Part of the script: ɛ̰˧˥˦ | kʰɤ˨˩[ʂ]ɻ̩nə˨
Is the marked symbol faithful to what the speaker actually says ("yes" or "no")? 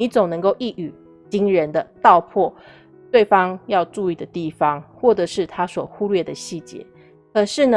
yes